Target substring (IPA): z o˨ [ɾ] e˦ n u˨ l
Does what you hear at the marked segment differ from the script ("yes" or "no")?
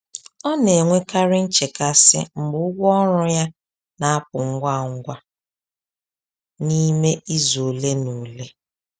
yes